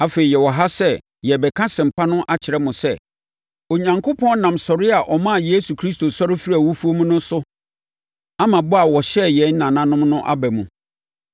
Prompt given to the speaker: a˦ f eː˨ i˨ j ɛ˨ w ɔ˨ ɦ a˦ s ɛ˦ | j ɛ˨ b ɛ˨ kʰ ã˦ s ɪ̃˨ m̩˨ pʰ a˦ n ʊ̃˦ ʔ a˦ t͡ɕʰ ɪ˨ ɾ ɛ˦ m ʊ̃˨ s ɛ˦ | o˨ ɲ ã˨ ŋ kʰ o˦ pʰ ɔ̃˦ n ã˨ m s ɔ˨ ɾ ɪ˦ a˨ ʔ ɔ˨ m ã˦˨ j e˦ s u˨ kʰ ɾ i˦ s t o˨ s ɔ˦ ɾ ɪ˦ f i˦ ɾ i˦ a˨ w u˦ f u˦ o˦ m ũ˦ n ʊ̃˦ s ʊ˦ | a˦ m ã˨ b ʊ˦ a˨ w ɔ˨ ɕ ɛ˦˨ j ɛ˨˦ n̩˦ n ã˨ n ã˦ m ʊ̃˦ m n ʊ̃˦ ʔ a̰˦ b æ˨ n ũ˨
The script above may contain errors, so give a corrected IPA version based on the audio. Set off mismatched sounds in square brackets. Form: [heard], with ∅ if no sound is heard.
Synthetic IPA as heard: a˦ f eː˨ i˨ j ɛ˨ w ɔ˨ ɦ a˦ s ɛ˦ | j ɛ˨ b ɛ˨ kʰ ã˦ s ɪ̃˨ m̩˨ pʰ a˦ n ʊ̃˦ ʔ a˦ t͡ɕʰ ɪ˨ ɾ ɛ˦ m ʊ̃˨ s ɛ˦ | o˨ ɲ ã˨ ŋ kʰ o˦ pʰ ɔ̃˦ n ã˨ m s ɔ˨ ɾ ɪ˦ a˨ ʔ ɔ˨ m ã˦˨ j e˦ s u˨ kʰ ɾ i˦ s t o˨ s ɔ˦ ɾ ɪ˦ f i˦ ɾ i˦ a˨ w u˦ f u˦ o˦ m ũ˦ n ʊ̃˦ s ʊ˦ | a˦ m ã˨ b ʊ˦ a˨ w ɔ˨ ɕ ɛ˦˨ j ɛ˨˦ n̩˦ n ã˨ n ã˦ [n] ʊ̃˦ m n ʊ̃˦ ʔ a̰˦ b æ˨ [m] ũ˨